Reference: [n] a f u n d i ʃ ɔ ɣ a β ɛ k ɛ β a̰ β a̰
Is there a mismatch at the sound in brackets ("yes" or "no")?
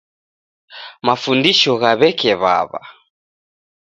yes